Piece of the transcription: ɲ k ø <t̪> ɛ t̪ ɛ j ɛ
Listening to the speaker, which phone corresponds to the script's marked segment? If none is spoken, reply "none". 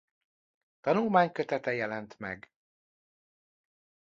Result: t̪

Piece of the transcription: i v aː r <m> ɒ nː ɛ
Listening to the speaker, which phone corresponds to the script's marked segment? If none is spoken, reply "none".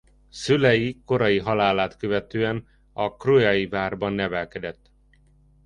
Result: b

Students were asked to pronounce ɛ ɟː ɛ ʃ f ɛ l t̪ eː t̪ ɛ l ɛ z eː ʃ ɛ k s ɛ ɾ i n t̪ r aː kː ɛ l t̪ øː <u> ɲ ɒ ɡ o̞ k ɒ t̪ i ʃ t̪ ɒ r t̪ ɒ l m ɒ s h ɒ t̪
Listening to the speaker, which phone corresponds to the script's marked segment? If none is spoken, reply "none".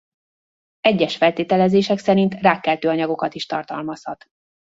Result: ɒ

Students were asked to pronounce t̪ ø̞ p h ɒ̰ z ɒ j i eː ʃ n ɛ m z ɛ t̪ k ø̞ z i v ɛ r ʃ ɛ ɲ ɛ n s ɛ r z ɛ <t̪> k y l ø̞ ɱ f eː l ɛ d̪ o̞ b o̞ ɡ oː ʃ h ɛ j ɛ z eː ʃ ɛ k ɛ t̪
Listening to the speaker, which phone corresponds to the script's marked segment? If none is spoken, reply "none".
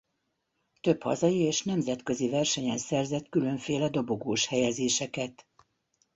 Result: t̪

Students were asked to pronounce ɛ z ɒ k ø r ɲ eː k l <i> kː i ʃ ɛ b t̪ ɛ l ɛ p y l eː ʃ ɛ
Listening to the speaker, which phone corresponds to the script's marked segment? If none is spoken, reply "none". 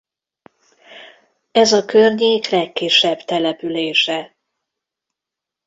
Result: ɛ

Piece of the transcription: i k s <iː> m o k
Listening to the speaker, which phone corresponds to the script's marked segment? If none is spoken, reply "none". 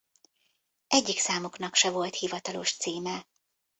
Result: aː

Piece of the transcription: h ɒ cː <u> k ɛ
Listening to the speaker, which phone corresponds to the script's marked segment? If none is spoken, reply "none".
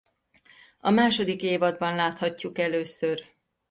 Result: u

